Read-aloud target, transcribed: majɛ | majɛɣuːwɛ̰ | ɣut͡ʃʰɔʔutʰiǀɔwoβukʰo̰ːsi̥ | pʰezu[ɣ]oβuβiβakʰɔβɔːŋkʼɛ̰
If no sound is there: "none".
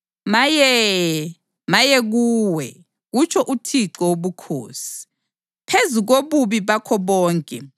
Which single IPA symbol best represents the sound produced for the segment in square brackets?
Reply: ɣ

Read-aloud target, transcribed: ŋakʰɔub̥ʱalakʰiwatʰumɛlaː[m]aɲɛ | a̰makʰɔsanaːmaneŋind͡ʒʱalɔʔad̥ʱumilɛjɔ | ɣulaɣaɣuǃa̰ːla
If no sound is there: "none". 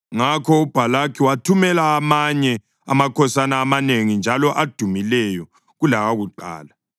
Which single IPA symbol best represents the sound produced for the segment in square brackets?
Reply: m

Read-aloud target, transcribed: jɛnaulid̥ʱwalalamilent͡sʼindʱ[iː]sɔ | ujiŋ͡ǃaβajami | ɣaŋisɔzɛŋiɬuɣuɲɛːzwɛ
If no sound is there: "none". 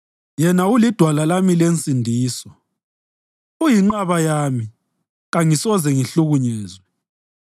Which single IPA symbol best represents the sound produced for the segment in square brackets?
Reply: iː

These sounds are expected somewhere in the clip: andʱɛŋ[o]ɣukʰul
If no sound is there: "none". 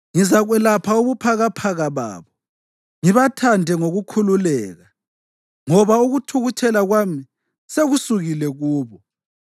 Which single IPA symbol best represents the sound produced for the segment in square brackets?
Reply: o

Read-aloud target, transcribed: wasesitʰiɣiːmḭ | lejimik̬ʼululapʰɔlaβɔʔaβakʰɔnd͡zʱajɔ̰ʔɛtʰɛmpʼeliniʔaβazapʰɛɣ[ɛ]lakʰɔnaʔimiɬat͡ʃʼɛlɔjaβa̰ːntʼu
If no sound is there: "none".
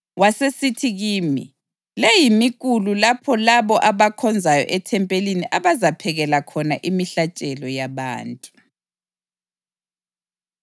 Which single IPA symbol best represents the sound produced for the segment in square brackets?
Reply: ɛ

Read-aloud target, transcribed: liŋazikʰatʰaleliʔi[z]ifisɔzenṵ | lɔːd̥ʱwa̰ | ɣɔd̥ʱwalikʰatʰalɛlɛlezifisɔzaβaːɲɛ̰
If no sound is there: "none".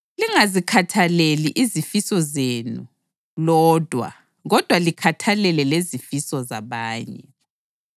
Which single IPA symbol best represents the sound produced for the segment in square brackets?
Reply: z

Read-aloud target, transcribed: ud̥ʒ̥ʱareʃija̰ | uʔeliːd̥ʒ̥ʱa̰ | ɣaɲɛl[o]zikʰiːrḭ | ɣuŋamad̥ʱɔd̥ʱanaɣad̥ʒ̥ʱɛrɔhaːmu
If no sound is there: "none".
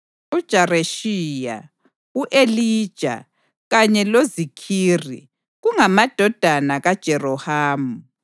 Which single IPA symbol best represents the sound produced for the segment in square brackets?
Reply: o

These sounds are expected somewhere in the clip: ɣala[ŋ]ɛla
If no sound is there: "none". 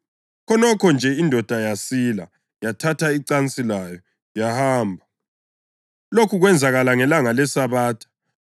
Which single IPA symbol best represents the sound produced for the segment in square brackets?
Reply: ŋ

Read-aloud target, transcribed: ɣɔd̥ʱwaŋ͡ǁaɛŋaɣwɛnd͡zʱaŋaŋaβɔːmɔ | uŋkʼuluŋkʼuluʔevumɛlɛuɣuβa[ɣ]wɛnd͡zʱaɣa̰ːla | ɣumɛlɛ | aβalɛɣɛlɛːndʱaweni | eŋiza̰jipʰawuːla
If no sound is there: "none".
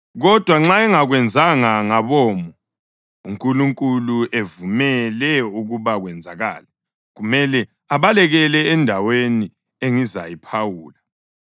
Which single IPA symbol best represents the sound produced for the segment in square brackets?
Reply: ɣ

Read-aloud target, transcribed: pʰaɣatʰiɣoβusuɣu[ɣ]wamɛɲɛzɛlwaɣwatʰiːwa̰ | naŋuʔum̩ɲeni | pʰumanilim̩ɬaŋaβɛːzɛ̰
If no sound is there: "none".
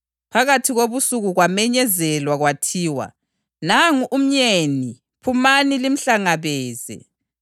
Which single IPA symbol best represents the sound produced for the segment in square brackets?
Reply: ɣ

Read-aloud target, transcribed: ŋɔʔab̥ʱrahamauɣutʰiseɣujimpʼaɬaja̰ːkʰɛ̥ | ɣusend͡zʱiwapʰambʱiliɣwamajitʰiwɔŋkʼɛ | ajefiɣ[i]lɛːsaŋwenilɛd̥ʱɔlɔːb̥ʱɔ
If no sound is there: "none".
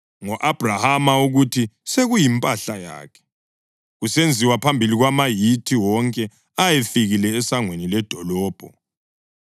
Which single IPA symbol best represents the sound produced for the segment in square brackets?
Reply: i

